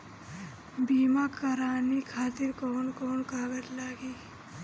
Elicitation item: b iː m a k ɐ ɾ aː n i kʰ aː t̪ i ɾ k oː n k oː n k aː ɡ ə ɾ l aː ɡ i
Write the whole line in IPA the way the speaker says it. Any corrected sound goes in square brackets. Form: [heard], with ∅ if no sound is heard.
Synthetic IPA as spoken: b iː m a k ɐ ɾ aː n i kʰ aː t̪ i ɾ k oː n k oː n k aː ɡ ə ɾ l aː ɡ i